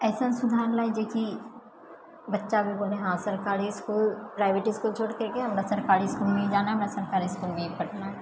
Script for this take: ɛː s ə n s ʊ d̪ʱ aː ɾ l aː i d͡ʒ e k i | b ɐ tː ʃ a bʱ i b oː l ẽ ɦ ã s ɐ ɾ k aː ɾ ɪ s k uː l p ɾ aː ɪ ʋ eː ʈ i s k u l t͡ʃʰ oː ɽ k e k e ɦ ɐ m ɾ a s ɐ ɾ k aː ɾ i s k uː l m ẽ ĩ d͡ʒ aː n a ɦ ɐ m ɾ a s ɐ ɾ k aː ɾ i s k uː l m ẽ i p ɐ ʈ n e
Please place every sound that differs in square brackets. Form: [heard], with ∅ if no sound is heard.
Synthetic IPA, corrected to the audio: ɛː s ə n s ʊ d̪ʱ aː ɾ l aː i d͡ʒ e k i | b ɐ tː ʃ a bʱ i b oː l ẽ ɦ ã s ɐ ɾ k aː ɾ [i] s k uː l p ɾ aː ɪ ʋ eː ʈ i s k u l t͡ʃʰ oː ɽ k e k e ɦ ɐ m ɾ a s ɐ ɾ k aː ɾ i s k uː l m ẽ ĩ d͡ʒ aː n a ɦ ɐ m ɾ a s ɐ ɾ k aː ɾ i s k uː l m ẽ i p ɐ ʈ n [a]